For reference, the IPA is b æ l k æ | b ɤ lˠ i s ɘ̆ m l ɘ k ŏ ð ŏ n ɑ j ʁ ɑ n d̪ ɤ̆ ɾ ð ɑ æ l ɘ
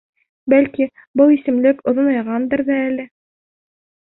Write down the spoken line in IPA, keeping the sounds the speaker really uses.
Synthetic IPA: b æ l k i | b ɤ lˠ i s ɘ̆ m l ɘ k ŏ ð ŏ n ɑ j ʁ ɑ n d̪ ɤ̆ ɾ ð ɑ æ l ɘ

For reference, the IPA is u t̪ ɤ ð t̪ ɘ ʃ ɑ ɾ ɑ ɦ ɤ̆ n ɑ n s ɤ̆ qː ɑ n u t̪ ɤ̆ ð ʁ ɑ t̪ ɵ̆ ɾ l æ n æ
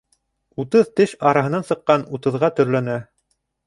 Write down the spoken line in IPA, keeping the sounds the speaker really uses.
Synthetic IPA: u t̪ ɤ ð t̪ ɘ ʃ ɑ ɾ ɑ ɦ ɤ̆ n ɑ n s ɤ̆ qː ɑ n u t̪ ɤ̆ ð ʁ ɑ t̪ ɵ̆ ɾ l æ n æ

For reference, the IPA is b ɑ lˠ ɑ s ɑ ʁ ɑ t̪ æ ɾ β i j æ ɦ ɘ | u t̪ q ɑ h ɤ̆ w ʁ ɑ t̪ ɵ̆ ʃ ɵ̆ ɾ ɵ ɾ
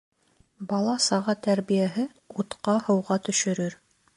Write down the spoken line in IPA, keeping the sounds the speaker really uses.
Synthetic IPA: b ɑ lˠ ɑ s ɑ ʁ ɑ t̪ æ ɾ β i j æ ɦ ɘ | u t̪ q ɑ h ɤ̆ w ʁ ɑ t̪ ɵ̆ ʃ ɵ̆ ɾ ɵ ɾ

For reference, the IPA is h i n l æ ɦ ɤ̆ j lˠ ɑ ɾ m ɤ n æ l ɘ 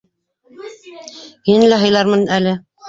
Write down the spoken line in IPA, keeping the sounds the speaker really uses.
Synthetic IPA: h i n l æ ɦ ɤ̆ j lˠ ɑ ɾ m ɤ n æ l ɘ

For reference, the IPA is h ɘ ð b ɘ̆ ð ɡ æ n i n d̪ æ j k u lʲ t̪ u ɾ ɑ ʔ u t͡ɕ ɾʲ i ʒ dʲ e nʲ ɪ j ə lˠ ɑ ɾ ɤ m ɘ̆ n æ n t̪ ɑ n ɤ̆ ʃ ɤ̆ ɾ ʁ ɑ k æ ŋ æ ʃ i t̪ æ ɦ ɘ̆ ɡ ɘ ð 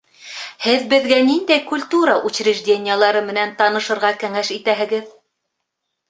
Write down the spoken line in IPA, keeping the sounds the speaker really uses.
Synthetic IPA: h ɘ ð b ɘ̆ ð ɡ æ n i n d̪ æ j k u lʲ t̪ u ɾ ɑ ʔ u t͡ɕ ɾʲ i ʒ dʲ e nʲ ɪ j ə lˠ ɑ ɾ ɤ m ɘ̆ n æ n t̪ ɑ n ɤ̆ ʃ ɤ̆ ɾ ʁ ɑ k æ ŋ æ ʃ i t̪ æ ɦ ɘ̆ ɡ ɘ ð

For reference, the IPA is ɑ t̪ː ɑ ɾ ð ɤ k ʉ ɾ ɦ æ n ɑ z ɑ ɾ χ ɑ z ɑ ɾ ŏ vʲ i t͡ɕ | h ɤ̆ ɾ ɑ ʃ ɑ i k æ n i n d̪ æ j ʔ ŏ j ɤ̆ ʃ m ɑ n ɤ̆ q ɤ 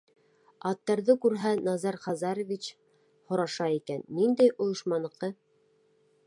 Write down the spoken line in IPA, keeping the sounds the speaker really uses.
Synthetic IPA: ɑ t̪ː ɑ ɾ ð ɤ k ʉ ɾ ɦ æ n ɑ z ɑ ɾ χ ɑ z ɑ ɾ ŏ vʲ i t͡ɕ | h ŏ ɾ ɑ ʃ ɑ i k æ nː i n d̪ æ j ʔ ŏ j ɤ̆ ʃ m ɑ n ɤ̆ q ɤ

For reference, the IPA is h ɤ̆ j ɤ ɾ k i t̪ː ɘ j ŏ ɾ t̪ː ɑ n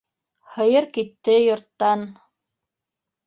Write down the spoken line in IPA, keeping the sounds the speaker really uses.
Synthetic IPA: h ɤ̆ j ɤ ɾ k i t̪ː ɘ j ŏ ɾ t̪ː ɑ n

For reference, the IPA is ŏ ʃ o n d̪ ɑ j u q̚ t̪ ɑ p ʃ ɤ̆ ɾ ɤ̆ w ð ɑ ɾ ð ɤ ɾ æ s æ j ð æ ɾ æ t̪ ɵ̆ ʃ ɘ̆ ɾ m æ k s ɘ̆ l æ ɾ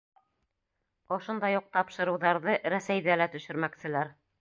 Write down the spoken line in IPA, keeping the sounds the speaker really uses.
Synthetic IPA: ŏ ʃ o n d̪ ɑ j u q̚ t̪ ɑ p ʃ ɤ̆ ɾ ɤ̆ w ð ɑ ɾ ð ɤ ɾ æ s æ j ð æ l æ t̪ ɵ̆ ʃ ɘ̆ ɾ m æ k s ɘ̆ l æ ɾ

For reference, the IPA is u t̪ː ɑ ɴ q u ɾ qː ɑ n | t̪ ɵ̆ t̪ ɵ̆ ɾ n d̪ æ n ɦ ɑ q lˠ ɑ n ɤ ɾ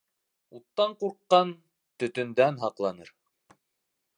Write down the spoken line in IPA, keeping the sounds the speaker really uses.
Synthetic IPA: u t̪ː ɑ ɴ q u ɾ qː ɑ n | t̪ ɵ̆ t̪ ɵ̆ n d̪ æ n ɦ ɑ q lˠ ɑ n ɤ ɾ

